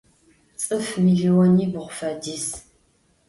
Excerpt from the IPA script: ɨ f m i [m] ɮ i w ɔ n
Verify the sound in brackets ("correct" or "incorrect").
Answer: incorrect